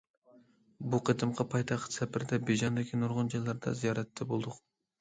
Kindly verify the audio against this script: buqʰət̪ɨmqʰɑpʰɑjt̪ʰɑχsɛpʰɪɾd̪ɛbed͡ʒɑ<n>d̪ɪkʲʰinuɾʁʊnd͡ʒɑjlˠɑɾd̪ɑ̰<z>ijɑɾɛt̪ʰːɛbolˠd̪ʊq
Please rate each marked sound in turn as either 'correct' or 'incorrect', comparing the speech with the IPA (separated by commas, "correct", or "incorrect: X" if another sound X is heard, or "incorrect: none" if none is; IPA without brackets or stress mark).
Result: correct, correct